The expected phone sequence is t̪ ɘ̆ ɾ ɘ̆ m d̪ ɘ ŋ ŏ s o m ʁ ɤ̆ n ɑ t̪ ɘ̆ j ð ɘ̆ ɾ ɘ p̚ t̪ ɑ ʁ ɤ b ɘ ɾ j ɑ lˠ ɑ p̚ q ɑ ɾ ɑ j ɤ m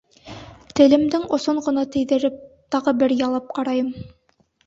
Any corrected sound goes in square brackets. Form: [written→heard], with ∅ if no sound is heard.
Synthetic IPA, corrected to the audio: t̪ ɘ̆ [ɾ→l] ɘ̆ m d̪ ɘ ŋ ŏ s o [m→ɴ] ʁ ɤ̆ n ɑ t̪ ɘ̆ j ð ɘ̆ ɾ ɘ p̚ t̪ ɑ ʁ ɤ b ɘ ɾ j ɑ lˠ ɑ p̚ q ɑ ɾ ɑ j ɤ m